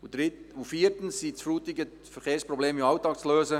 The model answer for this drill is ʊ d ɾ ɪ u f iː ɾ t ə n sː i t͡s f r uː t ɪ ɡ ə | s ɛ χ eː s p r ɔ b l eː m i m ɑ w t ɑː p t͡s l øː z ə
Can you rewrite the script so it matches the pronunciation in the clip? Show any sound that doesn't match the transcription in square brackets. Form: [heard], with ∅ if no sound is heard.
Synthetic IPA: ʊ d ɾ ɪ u f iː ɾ t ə n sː i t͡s f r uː t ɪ ɡ ə | [f] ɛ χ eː s p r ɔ b l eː m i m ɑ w t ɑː [k] t͡s l øː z ə